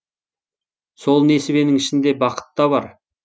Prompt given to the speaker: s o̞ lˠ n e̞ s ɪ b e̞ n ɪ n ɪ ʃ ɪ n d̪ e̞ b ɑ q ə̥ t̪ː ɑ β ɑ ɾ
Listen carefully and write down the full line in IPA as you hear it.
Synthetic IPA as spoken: s o̞ lˠ n e̞ s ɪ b e̞ n ɪ ŋ ɪ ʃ ɪ n d̪ e̞ b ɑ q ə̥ t̪ː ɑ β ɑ ɾ